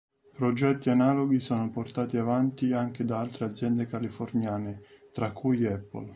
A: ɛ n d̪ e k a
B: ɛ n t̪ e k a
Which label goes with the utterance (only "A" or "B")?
A